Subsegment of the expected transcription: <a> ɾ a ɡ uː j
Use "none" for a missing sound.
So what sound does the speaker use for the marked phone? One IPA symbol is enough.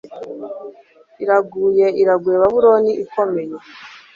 i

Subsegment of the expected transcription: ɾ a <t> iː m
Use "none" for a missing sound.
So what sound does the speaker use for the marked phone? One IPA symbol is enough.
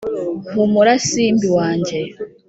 s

